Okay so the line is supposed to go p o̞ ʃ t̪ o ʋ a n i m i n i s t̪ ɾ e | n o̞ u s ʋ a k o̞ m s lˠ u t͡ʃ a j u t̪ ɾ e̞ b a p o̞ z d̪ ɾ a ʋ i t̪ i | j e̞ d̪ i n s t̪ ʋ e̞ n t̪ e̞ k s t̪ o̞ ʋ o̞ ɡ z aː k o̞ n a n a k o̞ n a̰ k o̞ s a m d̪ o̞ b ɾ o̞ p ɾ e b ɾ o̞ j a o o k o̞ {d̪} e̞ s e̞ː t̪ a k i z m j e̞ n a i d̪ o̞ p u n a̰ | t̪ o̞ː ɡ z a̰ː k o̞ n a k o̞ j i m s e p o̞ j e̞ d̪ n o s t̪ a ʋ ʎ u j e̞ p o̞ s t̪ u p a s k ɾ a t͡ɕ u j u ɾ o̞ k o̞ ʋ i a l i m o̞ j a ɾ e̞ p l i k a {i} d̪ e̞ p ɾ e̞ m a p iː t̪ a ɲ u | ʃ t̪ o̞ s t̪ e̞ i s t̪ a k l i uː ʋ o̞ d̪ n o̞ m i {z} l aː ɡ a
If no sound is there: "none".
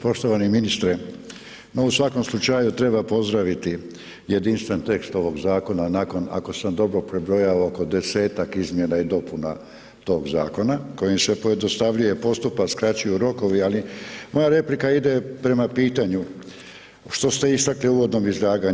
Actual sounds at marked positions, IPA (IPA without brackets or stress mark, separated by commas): d̪, i, z